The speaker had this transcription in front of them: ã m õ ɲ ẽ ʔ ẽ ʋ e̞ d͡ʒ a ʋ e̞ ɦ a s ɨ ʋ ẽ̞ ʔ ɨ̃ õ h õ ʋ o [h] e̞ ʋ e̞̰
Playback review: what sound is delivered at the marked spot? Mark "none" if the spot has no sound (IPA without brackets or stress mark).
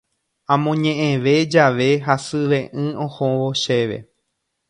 ʃ